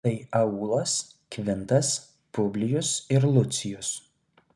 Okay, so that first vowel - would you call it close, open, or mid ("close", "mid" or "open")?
open